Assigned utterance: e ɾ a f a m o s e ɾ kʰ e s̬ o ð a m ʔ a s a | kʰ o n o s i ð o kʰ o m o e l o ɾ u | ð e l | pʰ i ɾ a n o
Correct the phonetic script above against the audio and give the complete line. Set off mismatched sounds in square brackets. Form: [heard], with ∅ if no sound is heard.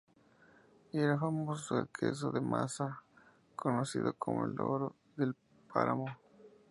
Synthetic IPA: e ɾ a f a m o s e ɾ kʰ e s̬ o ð [e] m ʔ a s a | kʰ o n o s i ð o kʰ o m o e l o ɾ [o] | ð e l | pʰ [a] ɾ a [m] o